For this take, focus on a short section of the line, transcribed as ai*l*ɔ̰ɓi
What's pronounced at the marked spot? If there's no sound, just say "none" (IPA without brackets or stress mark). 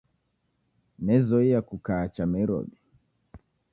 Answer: ɾ